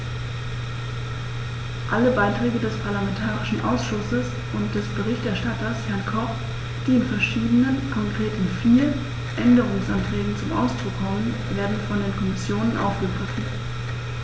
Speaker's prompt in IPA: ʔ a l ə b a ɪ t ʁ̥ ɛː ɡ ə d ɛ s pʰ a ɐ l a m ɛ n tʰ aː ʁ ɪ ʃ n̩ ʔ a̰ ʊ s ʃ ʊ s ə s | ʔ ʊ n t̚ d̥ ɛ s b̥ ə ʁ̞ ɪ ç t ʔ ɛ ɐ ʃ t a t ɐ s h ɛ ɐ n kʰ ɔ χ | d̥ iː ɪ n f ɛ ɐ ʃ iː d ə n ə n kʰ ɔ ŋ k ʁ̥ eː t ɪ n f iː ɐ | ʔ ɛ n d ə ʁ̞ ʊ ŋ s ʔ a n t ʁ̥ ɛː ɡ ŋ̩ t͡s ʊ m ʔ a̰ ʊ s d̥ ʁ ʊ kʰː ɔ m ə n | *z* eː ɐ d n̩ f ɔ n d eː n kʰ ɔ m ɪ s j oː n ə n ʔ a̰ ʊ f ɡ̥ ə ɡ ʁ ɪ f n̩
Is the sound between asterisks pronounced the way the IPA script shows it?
no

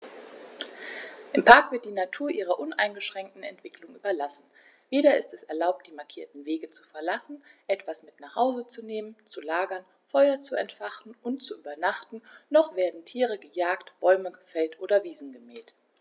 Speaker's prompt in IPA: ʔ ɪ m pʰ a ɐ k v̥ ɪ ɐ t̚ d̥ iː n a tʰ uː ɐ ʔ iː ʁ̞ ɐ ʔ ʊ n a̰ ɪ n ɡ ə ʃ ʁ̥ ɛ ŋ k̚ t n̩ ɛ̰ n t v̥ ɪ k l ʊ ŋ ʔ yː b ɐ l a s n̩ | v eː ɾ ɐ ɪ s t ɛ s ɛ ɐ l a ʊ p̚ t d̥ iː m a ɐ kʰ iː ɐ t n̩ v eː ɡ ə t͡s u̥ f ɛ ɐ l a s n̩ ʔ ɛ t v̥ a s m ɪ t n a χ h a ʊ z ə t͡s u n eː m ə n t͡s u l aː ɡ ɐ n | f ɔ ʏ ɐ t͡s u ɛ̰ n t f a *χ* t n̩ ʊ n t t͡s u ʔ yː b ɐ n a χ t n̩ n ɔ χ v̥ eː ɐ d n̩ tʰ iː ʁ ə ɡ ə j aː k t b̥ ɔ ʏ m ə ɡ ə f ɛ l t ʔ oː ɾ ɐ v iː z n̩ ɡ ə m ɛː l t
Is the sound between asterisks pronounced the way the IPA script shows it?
yes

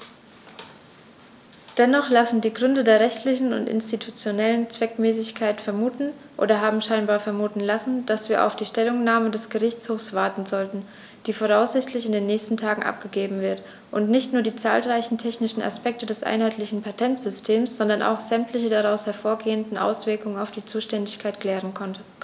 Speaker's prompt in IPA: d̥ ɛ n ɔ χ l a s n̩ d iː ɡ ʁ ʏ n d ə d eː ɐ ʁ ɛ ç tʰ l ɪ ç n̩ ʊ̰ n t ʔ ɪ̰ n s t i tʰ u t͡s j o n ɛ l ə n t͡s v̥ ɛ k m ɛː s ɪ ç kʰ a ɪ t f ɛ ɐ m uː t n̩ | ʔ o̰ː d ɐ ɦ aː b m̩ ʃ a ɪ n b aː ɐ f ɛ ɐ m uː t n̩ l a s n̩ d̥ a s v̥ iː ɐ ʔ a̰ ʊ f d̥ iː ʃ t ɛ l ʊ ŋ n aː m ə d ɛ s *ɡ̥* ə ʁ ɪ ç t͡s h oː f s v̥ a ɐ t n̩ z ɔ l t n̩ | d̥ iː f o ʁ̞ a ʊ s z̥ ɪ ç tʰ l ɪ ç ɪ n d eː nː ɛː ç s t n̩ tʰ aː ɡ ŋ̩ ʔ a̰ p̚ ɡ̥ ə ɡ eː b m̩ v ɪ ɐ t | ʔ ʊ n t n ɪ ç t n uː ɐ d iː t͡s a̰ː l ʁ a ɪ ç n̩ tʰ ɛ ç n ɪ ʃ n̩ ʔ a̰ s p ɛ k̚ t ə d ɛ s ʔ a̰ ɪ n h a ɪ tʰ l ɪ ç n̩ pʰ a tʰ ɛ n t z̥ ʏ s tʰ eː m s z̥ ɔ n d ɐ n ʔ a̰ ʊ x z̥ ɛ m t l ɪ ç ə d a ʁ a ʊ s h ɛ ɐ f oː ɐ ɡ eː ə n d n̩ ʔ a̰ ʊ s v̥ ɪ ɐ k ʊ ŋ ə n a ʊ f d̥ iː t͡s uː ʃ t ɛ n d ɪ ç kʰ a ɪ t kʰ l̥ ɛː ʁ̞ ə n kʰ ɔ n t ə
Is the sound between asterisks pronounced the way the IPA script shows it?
yes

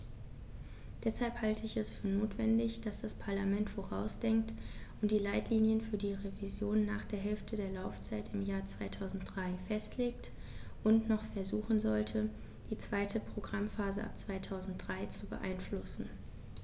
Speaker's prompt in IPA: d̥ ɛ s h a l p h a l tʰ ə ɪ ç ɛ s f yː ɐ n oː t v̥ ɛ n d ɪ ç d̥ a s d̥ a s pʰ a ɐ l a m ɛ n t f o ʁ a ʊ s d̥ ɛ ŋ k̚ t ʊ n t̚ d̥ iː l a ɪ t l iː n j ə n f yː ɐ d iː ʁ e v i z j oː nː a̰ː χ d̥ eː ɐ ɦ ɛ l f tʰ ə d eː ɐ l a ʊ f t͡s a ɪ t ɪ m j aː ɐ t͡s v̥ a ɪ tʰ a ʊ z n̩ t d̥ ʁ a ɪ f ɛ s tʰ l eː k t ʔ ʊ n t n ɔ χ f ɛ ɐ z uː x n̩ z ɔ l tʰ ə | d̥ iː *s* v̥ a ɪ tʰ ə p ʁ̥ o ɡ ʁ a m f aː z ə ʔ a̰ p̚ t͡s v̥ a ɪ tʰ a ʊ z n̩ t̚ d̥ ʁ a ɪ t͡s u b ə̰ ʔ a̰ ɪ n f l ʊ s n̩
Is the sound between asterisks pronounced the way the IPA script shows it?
no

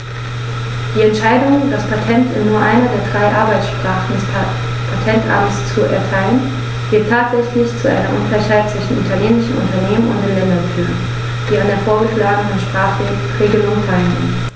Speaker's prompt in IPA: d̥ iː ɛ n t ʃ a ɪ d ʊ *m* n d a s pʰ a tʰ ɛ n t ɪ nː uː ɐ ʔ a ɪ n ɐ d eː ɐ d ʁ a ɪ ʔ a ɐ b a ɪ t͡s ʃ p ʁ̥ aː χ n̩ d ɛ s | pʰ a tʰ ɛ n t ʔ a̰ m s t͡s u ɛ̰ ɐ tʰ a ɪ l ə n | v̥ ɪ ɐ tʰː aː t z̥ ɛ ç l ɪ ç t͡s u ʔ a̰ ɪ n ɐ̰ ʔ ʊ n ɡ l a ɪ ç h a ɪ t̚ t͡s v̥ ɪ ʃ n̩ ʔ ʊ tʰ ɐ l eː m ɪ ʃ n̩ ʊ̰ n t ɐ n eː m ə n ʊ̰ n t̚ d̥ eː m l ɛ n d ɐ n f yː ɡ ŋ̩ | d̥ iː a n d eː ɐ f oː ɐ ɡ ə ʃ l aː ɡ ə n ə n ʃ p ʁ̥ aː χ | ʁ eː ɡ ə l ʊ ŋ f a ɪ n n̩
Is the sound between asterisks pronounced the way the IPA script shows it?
no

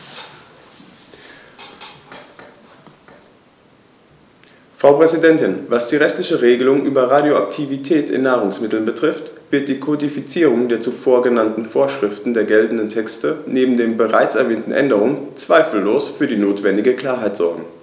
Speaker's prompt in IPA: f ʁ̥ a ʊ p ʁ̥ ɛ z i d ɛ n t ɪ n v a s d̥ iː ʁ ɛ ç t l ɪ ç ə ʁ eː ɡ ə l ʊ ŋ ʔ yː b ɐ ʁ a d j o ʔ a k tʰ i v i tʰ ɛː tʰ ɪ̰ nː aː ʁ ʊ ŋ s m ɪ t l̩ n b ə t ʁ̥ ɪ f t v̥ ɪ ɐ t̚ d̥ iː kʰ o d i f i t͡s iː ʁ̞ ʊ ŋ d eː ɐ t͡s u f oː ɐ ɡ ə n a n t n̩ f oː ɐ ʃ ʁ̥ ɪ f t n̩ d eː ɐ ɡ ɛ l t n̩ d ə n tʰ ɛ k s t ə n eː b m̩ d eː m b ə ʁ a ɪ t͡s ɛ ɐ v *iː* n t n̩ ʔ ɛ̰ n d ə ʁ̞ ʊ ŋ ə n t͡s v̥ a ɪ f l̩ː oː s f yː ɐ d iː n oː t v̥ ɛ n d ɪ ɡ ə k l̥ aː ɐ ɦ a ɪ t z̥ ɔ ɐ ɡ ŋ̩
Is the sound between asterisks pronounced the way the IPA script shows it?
no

